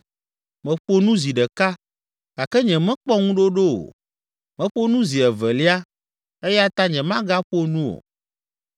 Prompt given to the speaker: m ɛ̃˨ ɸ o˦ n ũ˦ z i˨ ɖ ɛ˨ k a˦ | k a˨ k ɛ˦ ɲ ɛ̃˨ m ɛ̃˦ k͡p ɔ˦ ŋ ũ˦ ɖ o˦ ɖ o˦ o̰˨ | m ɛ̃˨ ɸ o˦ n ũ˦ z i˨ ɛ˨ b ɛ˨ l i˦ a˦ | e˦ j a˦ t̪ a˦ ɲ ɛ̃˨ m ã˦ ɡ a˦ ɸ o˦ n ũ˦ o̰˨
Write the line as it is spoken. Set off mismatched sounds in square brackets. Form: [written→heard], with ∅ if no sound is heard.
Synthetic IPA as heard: m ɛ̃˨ ɸ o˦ n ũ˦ z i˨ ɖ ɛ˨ k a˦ | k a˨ k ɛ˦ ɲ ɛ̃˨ m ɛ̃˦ k͡p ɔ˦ ŋ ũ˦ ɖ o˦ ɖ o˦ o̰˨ | m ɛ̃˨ ɸ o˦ n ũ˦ z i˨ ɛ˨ [b→v] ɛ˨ l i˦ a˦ | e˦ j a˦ t̪ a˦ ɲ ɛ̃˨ m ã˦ ɡ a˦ ɸ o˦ n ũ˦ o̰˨